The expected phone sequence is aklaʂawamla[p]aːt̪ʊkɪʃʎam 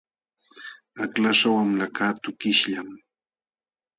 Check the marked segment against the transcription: incorrect: k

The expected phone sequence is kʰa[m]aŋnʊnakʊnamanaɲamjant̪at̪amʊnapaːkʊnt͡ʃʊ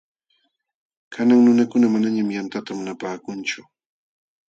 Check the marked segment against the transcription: incorrect: n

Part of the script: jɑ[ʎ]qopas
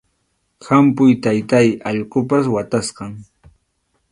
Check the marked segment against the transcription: correct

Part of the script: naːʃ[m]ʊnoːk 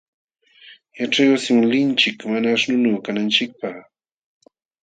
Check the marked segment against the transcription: incorrect: n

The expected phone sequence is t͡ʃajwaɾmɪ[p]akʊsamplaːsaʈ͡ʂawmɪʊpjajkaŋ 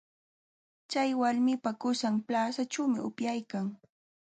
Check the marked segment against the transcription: correct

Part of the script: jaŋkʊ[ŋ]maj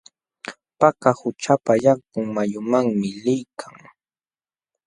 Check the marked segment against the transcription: correct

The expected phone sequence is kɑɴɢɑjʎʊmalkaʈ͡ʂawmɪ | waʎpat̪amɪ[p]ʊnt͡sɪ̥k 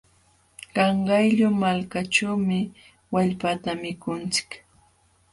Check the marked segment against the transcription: incorrect: k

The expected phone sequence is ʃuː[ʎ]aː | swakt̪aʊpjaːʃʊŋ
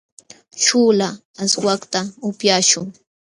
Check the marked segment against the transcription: incorrect: l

